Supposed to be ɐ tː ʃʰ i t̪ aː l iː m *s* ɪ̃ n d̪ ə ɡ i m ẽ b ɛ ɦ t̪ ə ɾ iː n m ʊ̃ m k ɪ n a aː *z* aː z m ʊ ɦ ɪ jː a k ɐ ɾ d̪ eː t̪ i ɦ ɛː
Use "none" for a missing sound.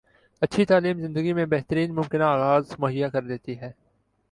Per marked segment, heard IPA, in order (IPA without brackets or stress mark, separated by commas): z, ɣ